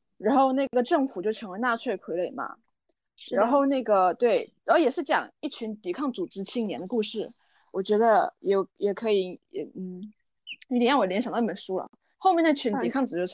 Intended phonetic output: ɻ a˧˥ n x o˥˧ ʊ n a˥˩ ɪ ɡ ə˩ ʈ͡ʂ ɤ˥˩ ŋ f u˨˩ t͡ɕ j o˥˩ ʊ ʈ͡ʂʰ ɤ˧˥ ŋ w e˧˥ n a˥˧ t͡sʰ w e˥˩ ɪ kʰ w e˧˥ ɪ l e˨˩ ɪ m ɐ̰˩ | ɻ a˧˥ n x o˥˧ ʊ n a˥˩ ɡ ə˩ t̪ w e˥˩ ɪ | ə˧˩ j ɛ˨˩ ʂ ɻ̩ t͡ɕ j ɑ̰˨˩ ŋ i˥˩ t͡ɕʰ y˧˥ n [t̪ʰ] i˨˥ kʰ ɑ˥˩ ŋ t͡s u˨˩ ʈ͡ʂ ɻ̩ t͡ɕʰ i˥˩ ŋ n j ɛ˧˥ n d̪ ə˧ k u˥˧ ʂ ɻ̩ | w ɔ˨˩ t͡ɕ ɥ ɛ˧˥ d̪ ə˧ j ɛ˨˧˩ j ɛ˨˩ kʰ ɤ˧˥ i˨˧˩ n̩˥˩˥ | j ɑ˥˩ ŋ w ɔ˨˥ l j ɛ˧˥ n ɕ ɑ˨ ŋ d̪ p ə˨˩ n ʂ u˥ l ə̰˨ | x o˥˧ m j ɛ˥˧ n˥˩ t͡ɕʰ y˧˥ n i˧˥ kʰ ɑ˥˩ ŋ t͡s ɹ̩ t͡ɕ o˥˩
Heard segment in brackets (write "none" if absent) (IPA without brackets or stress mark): t̪